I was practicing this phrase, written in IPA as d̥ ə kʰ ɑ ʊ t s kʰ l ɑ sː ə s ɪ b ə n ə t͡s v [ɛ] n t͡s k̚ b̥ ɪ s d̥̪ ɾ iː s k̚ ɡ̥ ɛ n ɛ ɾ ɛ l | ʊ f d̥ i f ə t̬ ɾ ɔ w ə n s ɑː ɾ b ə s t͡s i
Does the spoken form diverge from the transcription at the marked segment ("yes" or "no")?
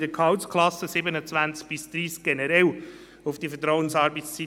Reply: yes